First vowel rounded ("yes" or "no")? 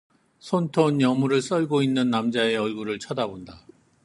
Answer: yes